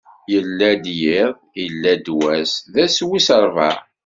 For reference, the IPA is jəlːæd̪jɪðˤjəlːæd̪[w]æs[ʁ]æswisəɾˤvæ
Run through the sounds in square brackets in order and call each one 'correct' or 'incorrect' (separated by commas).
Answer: correct, incorrect